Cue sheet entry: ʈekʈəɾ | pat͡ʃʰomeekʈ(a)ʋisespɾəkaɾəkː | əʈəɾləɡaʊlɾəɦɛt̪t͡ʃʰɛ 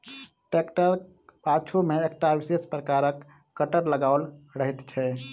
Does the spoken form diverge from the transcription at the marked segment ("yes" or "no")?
no